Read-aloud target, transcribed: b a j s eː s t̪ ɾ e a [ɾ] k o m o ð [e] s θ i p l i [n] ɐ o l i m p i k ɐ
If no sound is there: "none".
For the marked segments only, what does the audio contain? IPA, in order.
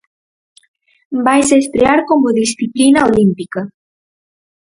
ɾ, i, n

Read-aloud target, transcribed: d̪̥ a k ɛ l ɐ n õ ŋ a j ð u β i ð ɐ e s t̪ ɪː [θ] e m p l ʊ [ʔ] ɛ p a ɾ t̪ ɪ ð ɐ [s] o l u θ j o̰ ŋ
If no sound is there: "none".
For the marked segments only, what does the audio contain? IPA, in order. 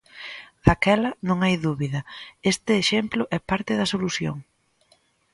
ʃ, ʔ, s

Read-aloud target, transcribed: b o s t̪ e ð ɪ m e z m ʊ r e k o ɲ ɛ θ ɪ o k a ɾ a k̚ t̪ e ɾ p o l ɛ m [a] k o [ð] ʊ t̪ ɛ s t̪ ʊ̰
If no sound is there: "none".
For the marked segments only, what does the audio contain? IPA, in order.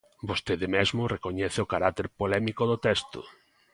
i, ð

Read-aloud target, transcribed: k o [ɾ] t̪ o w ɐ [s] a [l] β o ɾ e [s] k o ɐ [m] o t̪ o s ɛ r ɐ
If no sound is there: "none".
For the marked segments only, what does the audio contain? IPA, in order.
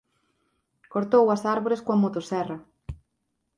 ɾ, s, ɾ, s, m

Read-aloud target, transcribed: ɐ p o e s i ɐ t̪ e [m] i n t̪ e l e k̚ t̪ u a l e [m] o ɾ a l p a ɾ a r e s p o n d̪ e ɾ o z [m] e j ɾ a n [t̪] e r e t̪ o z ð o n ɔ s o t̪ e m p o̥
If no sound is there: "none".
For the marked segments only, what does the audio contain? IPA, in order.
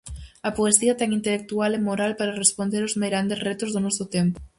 ŋ, m, m, d̪

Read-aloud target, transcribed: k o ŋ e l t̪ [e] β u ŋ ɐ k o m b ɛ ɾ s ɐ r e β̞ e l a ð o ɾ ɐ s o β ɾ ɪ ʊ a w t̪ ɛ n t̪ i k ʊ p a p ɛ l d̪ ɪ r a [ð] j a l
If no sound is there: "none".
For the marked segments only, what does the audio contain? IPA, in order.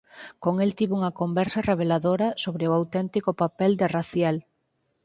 i, θ

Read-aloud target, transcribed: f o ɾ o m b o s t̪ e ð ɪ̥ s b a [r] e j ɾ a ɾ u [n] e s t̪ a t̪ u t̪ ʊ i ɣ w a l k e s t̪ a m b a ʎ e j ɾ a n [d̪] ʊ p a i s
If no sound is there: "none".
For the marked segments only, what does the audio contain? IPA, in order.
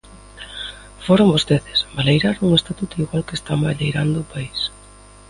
l, ŋ, d̪

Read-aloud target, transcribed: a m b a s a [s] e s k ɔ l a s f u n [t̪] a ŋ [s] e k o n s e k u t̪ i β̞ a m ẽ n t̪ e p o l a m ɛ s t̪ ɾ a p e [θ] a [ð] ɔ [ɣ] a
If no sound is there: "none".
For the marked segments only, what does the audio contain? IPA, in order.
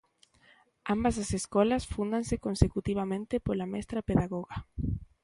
s, d̪, s, ð, ɣ, ɣ

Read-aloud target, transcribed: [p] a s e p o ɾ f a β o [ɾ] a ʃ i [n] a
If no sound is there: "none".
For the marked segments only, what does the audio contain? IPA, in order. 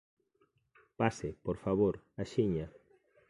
p, ɾ, ɲ

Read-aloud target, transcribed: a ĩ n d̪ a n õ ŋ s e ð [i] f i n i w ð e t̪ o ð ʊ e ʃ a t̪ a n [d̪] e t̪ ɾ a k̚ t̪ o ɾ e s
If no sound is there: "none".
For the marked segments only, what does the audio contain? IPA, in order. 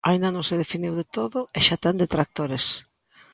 e, d̪

